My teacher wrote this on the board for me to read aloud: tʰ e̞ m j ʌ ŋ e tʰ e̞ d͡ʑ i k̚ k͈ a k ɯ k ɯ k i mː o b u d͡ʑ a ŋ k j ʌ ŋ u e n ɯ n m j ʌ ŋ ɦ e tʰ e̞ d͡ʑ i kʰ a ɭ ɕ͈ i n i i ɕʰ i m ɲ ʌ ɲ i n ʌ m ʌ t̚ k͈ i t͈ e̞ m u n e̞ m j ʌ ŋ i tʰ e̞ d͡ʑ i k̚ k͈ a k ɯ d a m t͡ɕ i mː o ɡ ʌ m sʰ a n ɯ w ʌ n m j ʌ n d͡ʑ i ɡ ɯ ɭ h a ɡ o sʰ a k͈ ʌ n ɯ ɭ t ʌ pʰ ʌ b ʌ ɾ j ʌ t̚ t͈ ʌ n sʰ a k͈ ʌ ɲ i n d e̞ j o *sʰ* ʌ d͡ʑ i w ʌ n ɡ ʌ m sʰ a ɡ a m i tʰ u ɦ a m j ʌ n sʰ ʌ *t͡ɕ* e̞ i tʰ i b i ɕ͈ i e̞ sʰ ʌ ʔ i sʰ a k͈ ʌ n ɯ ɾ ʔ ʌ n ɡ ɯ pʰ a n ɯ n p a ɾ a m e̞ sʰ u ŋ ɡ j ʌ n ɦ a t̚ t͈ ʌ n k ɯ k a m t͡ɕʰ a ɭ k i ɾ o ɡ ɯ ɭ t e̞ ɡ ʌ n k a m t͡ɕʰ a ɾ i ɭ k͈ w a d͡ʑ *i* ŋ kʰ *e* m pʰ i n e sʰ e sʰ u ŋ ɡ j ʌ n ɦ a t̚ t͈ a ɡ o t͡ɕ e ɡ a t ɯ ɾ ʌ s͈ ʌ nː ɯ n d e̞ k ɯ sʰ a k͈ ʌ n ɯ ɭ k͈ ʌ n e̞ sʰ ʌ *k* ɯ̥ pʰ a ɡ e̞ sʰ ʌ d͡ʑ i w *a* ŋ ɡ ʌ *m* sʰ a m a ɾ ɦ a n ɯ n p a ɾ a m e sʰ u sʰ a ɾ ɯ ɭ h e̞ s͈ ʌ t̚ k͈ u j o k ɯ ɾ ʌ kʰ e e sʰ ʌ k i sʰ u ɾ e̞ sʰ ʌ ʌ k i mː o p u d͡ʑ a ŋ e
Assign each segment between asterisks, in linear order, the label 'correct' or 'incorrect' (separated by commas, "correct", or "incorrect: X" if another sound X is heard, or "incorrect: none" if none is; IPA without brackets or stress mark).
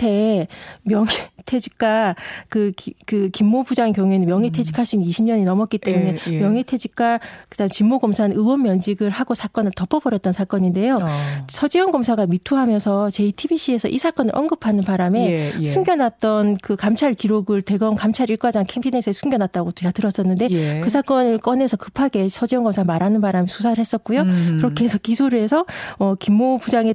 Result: correct, correct, incorrect: a, correct, correct, incorrect: ʌ, correct